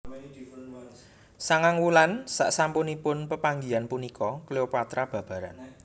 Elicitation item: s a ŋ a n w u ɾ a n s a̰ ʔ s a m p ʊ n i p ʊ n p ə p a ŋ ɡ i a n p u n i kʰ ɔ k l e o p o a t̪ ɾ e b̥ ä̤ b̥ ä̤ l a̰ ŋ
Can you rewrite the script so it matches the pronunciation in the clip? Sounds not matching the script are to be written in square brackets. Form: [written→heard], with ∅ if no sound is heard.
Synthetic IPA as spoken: s a ŋ a [n→ŋ] w u [ɾ→l] a n s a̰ ʔ s a m p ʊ n i p ʊ n p ə p a ŋ ɡ i a n p u n i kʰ ɔ k l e o p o a t̪ ɾ [e→a] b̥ ä̤ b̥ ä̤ [l→ɾ] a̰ [ŋ→n]